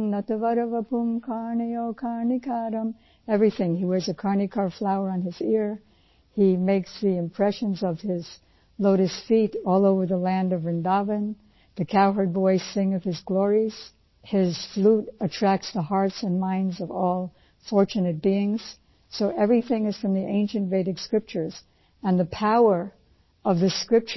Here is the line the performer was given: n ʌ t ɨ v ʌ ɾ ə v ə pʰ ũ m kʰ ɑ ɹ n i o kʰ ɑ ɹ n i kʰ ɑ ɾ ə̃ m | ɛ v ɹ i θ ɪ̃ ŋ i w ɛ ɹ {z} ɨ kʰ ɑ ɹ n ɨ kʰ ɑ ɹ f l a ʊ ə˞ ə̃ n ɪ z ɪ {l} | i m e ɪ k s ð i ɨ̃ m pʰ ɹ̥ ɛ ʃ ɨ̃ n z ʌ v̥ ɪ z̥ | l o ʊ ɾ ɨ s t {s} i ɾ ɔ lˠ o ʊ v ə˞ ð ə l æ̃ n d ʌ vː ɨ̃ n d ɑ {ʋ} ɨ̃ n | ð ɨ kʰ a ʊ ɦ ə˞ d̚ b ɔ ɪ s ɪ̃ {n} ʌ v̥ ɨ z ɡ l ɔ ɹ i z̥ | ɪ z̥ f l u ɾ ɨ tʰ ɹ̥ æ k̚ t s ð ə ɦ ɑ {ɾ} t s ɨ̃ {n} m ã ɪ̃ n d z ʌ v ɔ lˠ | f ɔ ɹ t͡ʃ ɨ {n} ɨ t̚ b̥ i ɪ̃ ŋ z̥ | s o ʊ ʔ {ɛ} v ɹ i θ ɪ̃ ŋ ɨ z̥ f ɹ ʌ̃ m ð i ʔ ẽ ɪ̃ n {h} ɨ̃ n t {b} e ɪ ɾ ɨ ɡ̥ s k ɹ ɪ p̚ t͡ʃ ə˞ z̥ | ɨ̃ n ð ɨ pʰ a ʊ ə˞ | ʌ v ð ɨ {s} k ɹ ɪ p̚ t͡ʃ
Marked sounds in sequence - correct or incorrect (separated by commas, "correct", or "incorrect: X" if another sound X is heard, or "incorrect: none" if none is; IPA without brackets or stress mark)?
correct, incorrect: ɹ, incorrect: f, incorrect: v, incorrect: ŋ, incorrect: ɹ, correct, correct, correct, incorrect: ʃ, incorrect: v, correct